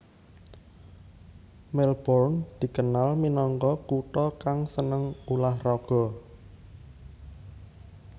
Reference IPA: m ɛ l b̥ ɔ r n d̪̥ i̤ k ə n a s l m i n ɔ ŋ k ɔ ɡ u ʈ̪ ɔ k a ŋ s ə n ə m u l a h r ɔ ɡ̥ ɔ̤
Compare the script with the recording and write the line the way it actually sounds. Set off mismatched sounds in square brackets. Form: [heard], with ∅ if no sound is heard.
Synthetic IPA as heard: m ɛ l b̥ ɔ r n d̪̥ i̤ k ə n a [∅] l m i n ɔ ŋ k ɔ [k] u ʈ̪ ɔ k a ŋ s ə n ə [ŋ] u l a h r ɔ ɡ̥ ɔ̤